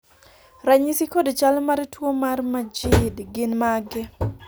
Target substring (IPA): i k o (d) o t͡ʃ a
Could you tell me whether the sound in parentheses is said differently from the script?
no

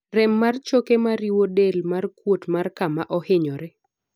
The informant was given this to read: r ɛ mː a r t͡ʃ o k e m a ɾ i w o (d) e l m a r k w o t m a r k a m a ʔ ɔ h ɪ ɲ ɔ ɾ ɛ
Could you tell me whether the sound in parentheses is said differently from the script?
no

